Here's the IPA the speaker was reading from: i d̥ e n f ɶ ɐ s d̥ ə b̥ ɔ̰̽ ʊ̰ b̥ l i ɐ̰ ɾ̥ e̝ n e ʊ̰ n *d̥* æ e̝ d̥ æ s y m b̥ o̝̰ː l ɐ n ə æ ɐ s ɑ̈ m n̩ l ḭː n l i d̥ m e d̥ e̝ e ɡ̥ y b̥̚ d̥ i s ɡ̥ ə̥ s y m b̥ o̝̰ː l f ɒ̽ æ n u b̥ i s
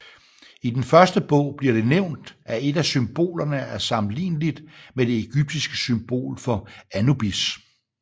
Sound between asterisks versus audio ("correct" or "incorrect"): correct